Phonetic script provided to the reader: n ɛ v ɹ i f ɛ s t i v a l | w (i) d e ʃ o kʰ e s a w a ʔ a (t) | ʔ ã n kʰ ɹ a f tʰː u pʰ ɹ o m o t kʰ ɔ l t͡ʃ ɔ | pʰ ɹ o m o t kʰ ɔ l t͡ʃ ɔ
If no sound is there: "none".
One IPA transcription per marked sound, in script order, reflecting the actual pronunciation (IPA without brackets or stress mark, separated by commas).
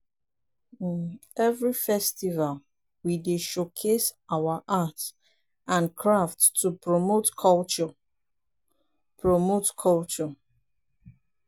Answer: i, t